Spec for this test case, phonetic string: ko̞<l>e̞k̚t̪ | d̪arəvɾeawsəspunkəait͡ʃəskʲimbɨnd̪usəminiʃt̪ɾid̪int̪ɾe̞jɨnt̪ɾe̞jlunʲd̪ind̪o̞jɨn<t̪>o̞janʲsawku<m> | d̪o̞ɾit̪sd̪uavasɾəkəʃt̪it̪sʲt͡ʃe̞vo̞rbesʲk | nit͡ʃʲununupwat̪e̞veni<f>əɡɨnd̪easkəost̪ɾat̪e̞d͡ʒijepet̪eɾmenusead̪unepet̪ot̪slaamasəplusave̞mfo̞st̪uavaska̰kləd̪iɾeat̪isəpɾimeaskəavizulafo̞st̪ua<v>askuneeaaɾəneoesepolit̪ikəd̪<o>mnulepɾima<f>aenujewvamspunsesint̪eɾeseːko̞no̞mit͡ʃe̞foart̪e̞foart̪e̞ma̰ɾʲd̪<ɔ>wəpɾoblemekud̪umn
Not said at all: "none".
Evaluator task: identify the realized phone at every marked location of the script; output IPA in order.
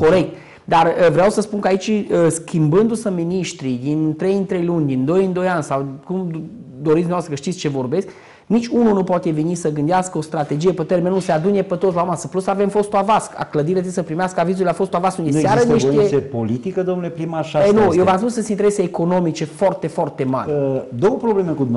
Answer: ɾ, d̪, m, s, v, o, ʃ, o

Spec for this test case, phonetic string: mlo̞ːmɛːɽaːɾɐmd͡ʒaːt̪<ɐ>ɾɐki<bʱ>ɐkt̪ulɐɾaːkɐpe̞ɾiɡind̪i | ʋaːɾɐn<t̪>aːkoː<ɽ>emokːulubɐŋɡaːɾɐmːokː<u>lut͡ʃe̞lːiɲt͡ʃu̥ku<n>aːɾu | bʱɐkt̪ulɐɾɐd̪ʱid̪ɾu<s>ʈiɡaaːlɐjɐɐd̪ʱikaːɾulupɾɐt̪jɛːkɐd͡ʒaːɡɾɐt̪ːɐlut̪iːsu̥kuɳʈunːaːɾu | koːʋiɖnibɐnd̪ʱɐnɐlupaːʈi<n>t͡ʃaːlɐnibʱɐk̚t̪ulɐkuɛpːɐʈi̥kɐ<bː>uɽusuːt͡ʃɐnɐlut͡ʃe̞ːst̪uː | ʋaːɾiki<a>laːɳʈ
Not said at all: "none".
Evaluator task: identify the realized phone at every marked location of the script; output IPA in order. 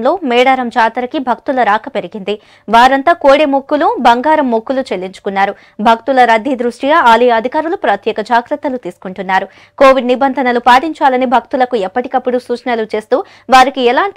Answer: ɐ, bʱ, t̪, ɽ, u, nː, ʂ, ɲ, pː, ɛ

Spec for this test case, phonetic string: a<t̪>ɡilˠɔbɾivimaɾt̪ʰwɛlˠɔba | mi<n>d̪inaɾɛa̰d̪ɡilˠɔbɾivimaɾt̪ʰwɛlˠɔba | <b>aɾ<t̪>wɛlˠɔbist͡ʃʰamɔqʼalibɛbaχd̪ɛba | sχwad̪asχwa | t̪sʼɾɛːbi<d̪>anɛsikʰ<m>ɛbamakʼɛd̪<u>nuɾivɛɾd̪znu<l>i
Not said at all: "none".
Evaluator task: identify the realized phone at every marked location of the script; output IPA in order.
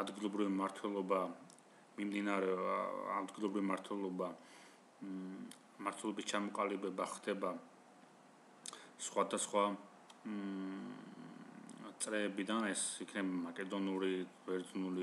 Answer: d̪, m, m, t̪ʰ, d̪, n, ɔ, l

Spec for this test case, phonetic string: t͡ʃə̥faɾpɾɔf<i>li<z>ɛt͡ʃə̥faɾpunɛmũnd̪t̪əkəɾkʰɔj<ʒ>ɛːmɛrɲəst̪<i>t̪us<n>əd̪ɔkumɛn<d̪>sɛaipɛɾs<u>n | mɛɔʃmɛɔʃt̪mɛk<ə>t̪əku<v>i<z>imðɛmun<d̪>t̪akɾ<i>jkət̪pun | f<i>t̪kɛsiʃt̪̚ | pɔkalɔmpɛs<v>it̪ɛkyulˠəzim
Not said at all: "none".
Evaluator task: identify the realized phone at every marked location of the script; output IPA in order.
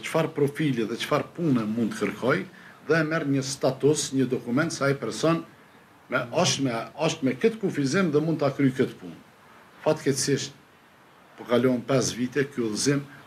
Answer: i, ð, ð, a, ɲ, t̪, ɔ, ə, f, z, d̪, y, a, v

